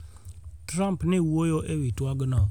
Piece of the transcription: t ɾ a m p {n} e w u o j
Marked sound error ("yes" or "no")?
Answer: no